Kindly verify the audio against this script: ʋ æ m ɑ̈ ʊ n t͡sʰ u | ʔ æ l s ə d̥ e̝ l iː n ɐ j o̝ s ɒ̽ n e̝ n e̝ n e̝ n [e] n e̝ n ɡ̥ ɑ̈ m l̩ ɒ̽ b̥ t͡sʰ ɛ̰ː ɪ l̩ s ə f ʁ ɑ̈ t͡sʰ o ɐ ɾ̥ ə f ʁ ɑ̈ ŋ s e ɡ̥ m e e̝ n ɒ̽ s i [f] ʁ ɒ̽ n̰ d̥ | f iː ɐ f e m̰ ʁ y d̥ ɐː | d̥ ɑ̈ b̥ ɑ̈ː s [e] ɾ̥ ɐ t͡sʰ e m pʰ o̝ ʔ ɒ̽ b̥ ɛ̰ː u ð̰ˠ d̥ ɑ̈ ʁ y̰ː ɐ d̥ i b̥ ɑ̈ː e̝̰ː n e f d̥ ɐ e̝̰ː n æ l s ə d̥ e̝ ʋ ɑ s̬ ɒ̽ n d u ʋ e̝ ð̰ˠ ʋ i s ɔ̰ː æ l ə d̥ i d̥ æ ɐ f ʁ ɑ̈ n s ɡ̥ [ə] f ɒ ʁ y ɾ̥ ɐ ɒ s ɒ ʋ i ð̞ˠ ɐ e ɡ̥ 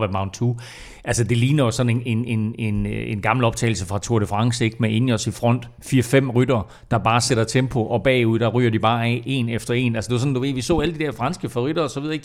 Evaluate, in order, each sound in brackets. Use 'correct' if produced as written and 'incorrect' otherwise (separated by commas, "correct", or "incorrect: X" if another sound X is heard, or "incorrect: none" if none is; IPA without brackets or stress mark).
correct, correct, correct, correct